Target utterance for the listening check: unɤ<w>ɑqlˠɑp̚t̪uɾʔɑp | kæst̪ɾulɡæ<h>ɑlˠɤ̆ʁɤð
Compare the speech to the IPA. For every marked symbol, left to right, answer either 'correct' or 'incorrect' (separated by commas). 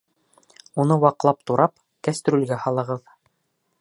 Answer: correct, correct